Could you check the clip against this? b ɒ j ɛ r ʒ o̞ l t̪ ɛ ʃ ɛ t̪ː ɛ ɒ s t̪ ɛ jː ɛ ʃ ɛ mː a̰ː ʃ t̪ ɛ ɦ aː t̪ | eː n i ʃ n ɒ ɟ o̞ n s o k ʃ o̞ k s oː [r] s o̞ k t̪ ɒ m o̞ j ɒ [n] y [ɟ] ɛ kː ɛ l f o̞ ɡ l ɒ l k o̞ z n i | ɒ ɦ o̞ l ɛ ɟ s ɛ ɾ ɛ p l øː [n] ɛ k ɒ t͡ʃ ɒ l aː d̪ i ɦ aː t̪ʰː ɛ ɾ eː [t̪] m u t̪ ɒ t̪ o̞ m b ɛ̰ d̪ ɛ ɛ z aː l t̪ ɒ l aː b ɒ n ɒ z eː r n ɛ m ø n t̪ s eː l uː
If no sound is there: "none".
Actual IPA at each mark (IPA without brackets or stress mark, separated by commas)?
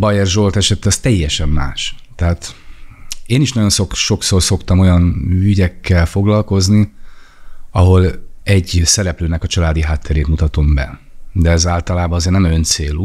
r, n, ɟ, n, t̪